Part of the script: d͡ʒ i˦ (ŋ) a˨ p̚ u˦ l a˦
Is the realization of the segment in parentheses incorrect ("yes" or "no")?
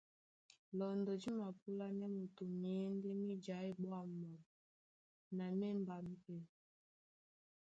yes